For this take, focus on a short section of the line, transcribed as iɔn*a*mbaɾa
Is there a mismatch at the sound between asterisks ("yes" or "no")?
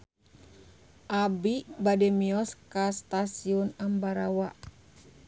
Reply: no